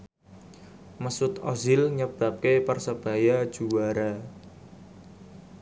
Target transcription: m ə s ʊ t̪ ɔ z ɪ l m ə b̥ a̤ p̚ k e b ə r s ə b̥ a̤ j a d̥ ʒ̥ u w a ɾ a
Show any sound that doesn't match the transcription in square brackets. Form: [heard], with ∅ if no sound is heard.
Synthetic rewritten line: m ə s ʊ t̪ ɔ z ɪ l [ɲ] ə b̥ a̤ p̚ k e [p] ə r s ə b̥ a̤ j a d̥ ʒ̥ u w a ɾ a